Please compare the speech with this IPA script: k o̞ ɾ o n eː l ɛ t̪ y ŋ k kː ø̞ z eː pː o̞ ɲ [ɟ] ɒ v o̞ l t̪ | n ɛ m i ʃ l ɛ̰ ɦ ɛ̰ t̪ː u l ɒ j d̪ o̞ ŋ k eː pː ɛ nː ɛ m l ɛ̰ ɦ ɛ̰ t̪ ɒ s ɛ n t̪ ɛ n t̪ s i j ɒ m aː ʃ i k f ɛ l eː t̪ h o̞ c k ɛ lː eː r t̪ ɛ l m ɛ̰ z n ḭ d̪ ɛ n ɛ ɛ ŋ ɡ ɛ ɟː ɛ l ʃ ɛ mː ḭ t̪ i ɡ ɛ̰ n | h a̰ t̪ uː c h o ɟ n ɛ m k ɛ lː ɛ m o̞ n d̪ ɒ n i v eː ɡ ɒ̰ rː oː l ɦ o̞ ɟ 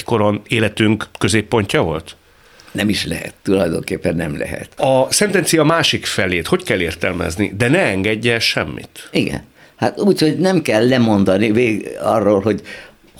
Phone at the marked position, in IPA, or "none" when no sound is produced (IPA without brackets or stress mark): c